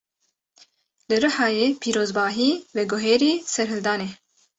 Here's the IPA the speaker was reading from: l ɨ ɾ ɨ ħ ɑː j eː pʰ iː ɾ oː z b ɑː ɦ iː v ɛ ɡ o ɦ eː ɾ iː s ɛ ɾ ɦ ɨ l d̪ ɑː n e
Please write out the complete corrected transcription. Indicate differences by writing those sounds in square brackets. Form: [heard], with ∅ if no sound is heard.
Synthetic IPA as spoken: l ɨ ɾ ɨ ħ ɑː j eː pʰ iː ɾ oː z b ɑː ɦ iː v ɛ ɡ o ɦ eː ɾ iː s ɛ ɾ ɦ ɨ l d̪ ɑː n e